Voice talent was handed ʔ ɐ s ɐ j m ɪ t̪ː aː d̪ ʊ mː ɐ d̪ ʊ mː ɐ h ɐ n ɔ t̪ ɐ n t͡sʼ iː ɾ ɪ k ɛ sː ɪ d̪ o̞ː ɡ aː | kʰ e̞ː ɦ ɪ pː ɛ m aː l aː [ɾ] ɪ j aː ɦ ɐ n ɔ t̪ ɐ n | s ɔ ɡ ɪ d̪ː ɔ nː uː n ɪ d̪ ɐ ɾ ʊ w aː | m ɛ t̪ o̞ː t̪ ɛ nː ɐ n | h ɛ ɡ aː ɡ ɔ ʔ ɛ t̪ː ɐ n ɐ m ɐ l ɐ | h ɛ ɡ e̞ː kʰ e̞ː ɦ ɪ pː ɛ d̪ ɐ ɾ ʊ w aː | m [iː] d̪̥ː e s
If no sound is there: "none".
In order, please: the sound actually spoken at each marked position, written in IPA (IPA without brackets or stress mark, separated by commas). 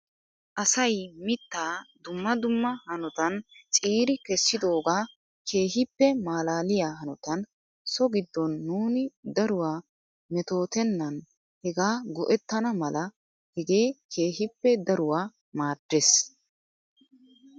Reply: l, aː